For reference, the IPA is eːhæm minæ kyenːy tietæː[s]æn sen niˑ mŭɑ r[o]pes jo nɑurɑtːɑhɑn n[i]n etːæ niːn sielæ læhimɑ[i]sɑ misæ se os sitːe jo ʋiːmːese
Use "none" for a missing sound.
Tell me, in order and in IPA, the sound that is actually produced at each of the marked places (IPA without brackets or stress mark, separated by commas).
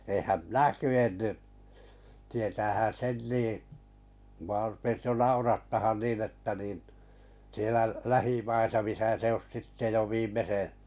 h, u, iː, i